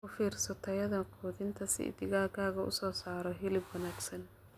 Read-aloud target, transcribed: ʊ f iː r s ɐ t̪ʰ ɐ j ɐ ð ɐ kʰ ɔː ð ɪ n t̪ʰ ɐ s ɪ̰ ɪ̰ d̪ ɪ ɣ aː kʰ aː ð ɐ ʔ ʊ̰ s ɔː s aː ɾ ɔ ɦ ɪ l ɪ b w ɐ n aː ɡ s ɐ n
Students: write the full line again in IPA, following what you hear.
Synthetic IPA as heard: ʊ f iː r s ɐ t̪ʰ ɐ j ɐ ð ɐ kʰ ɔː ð ɪ n t̪ʰ ɐ s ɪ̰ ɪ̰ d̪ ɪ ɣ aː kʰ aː ɣ ɐ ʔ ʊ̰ s ɔː s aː ɾ ɔ ɦ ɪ l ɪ b w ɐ n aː ɡ s ɐ n